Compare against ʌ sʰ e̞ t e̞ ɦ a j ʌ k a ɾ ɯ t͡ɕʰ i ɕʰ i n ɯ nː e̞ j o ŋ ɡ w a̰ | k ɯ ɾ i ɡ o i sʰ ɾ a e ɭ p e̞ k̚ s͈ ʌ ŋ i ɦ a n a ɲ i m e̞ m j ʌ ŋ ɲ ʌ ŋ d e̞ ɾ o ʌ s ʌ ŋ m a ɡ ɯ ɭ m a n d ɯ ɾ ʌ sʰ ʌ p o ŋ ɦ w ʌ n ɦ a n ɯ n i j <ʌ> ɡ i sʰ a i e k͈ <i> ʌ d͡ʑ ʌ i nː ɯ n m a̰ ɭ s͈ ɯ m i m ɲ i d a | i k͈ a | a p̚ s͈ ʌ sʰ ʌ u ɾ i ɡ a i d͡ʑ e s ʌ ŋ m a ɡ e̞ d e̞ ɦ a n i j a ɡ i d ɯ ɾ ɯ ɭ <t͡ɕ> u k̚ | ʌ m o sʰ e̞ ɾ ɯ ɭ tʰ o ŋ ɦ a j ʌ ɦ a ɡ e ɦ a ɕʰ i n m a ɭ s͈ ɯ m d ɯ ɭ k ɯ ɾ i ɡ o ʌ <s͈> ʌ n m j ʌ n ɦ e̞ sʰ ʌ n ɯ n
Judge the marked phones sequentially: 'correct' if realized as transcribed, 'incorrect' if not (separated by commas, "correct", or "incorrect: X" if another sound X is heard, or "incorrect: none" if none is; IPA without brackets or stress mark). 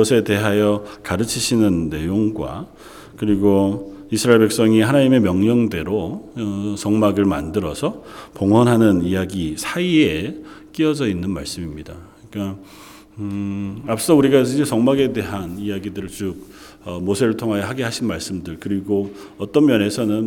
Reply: incorrect: a, correct, correct, incorrect: t͈